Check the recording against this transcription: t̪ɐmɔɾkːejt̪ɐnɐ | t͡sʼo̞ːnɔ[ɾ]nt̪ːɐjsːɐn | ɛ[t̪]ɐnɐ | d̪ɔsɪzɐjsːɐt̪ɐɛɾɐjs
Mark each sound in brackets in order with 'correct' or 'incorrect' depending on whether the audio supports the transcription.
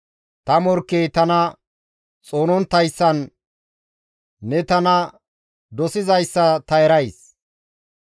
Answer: incorrect: none, correct

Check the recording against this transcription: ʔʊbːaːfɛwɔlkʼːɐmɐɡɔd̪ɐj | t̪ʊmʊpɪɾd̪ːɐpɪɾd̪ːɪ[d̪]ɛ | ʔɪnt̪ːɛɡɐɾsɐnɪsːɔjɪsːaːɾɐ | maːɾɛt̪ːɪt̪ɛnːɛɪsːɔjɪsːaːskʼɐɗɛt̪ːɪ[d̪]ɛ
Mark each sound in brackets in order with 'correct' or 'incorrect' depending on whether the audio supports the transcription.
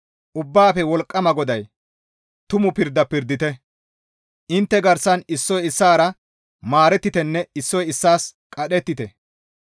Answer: incorrect: t̪, incorrect: t̪

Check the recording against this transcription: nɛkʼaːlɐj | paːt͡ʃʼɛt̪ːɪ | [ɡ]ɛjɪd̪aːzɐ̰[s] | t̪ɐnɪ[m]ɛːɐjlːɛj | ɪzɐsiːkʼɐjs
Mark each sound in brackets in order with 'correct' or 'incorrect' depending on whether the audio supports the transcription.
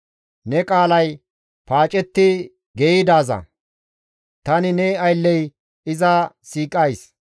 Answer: correct, incorrect: none, incorrect: n

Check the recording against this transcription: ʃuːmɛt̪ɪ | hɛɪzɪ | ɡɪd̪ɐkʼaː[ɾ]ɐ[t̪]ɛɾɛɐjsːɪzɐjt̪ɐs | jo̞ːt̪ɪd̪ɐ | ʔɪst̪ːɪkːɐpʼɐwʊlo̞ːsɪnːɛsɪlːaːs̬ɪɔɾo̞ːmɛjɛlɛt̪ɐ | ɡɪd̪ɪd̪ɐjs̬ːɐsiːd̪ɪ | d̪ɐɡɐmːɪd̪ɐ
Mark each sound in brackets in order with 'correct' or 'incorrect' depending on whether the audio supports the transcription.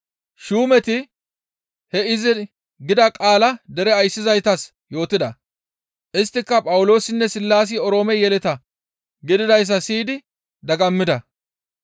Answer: incorrect: l, incorrect: d̪

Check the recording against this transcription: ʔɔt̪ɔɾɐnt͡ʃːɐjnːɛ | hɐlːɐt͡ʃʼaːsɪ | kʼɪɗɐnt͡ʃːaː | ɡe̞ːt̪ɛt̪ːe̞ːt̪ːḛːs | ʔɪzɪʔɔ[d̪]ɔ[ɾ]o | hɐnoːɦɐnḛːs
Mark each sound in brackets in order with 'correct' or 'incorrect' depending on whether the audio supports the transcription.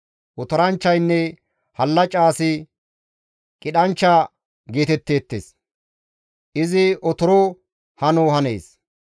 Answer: incorrect: t̪, correct

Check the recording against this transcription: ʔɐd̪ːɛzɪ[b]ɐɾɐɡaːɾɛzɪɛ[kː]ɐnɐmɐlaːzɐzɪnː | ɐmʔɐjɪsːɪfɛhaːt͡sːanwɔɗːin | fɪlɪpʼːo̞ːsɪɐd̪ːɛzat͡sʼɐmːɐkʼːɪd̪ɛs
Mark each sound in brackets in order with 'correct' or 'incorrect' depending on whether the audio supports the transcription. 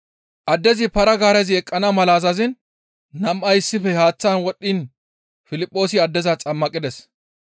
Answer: incorrect: p, incorrect: kʼː

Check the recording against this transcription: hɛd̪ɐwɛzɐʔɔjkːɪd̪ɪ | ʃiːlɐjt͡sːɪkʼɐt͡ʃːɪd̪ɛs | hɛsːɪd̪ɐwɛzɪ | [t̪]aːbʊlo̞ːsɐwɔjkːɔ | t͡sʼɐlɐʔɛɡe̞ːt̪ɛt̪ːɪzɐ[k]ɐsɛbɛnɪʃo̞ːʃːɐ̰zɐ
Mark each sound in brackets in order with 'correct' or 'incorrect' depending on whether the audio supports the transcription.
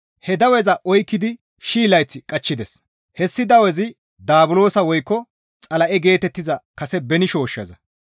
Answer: incorrect: d̪, correct

